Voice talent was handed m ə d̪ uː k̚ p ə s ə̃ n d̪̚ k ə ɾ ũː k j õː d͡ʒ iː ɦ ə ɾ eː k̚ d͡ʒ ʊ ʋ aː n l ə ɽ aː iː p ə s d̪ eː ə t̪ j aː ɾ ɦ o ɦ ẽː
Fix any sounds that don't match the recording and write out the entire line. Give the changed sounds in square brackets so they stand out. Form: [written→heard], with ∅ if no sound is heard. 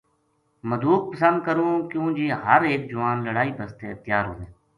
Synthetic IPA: m ə d̪ uː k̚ p ə s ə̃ n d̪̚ k ə ɾ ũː k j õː d͡ʒ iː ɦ ə ɾ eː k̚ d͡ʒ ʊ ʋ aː n l ə ɽ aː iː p ə s [d̪→t̪] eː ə t̪ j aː ɾ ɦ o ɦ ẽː